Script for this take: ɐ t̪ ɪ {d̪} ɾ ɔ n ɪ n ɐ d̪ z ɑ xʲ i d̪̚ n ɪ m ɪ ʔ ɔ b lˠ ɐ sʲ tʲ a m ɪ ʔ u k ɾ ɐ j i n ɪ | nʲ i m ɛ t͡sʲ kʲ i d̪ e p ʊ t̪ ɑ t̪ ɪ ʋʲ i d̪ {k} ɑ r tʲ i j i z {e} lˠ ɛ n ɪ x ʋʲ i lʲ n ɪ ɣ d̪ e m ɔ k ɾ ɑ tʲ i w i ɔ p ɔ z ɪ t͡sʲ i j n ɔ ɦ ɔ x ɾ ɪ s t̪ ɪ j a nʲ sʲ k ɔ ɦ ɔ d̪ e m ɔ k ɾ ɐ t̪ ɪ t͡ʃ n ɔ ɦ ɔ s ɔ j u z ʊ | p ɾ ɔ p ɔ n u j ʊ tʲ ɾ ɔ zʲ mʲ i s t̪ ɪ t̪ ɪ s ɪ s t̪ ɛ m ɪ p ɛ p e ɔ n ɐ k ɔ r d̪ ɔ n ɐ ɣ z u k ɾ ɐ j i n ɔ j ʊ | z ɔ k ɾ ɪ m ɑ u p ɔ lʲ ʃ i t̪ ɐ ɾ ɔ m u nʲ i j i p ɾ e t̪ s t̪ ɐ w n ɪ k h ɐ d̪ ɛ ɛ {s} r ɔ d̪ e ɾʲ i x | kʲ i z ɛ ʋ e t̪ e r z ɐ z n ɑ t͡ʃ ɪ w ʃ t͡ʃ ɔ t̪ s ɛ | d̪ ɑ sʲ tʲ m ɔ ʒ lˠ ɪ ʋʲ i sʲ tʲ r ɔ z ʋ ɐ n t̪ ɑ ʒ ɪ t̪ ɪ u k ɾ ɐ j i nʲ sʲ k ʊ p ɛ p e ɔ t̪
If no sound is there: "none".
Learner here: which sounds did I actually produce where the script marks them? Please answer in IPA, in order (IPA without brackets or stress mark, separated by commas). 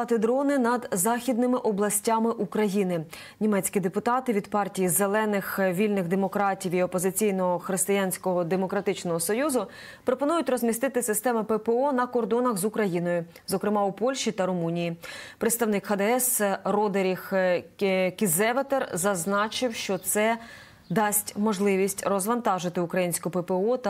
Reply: d̪, p, e, s